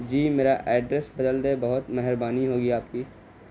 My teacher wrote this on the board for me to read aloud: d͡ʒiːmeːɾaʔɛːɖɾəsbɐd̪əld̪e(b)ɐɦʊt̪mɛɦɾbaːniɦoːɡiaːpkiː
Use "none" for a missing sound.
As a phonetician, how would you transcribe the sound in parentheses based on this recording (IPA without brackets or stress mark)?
b